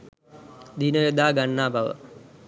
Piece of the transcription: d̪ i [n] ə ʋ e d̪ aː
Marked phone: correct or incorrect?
correct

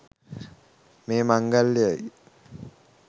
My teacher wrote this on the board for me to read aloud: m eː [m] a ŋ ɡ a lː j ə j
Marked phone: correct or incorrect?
correct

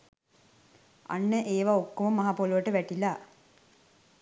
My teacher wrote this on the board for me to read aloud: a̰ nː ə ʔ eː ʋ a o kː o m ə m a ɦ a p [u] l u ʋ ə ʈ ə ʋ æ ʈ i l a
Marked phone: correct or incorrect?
incorrect: o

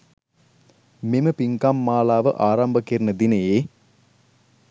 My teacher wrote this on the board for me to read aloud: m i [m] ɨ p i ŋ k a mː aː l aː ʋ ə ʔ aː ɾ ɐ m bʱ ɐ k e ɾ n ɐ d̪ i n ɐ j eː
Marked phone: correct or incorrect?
correct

